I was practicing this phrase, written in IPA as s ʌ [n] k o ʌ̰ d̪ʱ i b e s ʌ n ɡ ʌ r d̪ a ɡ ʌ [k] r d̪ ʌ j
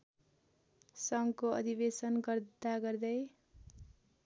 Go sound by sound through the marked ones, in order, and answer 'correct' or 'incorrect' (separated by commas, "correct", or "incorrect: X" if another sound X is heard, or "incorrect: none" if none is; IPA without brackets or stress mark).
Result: incorrect: ŋ, incorrect: none